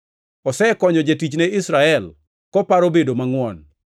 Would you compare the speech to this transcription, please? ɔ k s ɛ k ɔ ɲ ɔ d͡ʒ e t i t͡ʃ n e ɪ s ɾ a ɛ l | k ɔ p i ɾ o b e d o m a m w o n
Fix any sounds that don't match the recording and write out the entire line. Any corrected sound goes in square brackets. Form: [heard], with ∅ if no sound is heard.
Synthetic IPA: ɔ [∅] s ɛ k ɔ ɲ ɔ d͡ʒ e t i t͡ʃ n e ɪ s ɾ a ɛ l | k ɔ p [a] ɾ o b e d o m a [ŋ] w [ɔ] n